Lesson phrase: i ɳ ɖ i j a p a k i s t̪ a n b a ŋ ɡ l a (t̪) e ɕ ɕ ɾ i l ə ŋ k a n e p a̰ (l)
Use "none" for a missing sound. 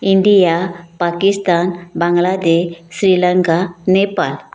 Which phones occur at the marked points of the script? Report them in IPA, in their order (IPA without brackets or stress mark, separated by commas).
d̪, l